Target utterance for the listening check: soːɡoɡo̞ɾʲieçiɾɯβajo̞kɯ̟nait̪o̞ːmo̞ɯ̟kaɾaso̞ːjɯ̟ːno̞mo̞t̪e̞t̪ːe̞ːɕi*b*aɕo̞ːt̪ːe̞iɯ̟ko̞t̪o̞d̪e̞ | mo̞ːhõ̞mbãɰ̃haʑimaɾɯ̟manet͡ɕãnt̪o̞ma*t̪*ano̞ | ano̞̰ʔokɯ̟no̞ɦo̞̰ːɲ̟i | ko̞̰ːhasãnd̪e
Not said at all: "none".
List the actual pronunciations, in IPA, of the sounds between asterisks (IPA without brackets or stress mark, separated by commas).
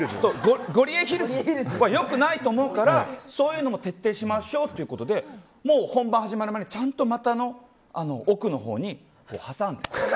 m, t̪